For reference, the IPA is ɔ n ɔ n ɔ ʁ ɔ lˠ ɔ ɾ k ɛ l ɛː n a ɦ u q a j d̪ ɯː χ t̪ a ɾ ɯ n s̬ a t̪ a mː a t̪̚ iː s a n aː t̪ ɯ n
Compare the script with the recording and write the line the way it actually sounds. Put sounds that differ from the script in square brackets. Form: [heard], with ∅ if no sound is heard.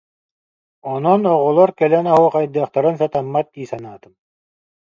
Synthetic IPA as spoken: ɔ n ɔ n ɔ ʁ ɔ lˠ ɔ ɾ k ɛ l [ɛ] n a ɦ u q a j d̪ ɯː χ t̪ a ɾ ɯ n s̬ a t̪ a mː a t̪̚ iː s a n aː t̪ ɯ [m]